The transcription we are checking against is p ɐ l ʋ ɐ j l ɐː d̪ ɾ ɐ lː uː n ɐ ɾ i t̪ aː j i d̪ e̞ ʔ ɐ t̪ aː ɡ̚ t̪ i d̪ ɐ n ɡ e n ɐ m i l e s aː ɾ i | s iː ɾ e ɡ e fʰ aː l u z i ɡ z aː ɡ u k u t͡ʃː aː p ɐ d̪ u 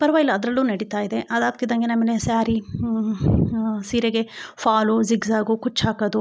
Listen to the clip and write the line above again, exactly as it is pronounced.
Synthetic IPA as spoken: p ɐ ɾ ʋ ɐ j l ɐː d̪ ɾ ɐ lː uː n ɐ ɽ i t̪ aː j i d̪ e̞ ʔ ɐ d̪ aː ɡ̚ t̪ i d̪ ɐ ŋ ɡ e n ɐ m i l e s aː ɾ i | s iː ɾ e ɡ e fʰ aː l u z i ɡ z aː ɡ u k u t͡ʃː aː k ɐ d̪ u

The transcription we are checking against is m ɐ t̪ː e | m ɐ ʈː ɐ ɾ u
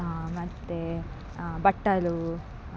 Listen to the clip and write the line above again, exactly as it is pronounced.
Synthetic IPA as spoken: m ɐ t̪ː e | b ɐ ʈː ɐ l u

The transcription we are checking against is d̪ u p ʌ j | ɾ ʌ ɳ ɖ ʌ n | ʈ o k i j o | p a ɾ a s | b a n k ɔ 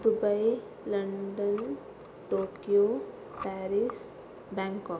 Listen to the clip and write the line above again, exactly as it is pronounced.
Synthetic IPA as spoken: d̪ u b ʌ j | l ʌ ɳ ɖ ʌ n | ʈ o k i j o | p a ɾ i s | b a ŋ k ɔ

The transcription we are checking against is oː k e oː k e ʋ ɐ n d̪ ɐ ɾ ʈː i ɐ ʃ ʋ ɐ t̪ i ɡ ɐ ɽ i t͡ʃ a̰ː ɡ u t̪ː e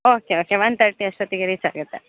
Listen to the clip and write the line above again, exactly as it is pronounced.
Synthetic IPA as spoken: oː k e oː k e ʋ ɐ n t̪ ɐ ɾ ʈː i ɐ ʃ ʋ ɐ t̪ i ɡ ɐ ɾ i t͡ʃ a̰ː ɡ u t̪ː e

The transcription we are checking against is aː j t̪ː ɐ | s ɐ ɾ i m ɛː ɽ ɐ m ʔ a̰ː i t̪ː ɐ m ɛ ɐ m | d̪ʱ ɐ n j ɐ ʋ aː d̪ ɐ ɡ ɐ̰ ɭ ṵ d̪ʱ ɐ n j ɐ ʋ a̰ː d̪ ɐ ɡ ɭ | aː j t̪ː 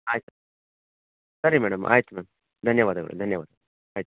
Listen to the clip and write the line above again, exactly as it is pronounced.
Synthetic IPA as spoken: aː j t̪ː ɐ | s ɐ ɾ i m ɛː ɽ ɐ m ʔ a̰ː j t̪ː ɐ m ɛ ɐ m | d̪ʱ ɐ n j ɐ ʋ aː d̪ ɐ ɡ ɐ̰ ɭ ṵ d̪ʱ ɐ n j ɐ ʋ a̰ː d̪ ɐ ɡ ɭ | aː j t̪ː

